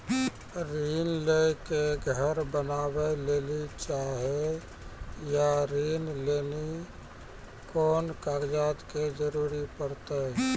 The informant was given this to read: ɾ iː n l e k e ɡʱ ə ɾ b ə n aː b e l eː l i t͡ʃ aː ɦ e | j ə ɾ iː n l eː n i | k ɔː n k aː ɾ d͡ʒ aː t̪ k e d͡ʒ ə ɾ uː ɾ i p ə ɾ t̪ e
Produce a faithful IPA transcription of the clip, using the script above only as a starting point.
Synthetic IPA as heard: ɾ iː n l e k e ɡʱ ə ɾ b ə n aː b e l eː l i t͡ʃ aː ɦ e | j a ɾ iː n l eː n i | k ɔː n k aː ɾ d͡ʒ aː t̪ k e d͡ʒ ə ɾ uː ɾ i p ə ɾ t̪ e